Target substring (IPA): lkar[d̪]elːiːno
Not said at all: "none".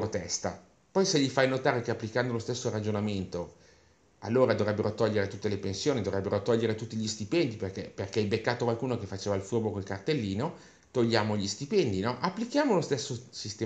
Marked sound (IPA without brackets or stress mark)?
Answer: t̪